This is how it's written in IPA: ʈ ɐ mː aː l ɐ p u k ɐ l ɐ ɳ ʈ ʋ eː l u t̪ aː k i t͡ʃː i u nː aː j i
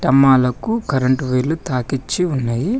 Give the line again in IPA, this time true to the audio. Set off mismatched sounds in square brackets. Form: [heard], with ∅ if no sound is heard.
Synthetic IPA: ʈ ɐ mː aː l ɐ [k] u k ɐ [ɾ] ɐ ɳ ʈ ʋ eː l u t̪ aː k i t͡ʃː i u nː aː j i